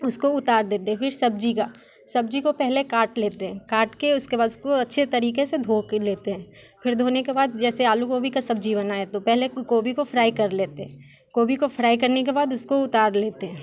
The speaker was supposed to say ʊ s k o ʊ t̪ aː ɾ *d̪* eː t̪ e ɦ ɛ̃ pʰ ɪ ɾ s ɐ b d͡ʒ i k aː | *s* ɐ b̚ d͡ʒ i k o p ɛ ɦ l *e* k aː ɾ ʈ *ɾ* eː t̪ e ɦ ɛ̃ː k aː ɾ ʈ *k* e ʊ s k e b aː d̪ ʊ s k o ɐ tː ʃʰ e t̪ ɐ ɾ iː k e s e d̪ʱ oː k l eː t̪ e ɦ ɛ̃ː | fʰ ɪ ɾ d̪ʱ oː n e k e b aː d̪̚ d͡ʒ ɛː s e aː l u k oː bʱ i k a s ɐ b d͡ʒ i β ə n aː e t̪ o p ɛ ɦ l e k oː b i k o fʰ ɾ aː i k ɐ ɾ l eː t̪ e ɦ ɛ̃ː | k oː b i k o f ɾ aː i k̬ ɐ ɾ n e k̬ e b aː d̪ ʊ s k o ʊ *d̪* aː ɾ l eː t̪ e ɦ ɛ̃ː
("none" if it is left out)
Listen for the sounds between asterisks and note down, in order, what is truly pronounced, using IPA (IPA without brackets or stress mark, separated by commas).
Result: d̪, s, e, l, k, t̪